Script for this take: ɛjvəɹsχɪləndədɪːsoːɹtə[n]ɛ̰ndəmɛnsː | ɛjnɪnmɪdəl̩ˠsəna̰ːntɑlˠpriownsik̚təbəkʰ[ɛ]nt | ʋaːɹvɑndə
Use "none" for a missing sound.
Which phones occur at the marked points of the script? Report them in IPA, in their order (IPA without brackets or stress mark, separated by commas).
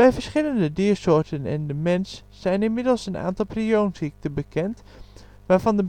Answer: n, ɛ